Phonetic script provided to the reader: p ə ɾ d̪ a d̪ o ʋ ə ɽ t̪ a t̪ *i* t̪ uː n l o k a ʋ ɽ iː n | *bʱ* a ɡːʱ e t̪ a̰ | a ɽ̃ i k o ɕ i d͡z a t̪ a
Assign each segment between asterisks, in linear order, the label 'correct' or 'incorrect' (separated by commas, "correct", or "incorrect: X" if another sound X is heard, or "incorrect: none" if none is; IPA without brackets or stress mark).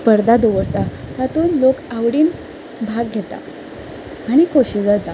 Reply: incorrect: a, correct